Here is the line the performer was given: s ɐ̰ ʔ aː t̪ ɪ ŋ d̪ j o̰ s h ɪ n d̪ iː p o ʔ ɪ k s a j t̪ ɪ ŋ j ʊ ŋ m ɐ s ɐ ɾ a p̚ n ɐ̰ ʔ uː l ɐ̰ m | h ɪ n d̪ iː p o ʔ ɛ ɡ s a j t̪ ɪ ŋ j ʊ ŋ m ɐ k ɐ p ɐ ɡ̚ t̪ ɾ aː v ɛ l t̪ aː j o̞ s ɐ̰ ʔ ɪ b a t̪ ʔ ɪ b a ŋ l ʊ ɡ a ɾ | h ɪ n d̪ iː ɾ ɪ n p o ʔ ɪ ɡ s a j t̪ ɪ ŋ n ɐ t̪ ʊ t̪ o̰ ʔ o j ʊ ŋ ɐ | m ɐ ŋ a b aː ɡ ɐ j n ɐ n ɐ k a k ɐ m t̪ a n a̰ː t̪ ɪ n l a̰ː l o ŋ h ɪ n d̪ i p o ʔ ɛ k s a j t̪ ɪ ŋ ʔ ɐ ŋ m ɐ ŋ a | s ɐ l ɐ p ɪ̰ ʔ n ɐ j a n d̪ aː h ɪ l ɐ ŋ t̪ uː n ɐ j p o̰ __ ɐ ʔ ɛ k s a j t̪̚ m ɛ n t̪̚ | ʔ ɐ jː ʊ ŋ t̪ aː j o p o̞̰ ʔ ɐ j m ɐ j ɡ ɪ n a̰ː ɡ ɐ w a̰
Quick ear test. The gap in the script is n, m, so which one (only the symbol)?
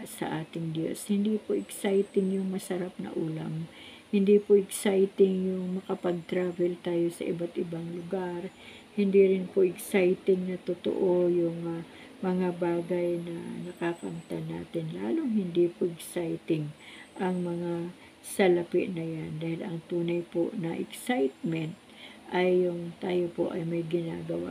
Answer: n